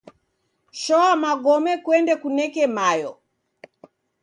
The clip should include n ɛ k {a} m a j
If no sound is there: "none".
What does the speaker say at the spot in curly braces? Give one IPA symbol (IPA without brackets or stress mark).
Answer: ɛ